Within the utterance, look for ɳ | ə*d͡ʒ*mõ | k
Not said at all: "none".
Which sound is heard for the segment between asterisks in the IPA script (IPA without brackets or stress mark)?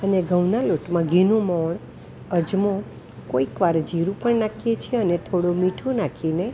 d͡ʒ